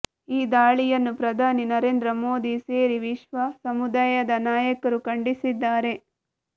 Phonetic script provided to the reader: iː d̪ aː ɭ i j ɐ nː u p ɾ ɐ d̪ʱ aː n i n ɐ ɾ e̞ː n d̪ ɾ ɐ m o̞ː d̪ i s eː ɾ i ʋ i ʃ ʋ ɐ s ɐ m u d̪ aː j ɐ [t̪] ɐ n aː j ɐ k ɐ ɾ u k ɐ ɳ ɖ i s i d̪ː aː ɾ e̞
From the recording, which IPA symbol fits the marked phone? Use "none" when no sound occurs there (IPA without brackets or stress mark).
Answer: d̪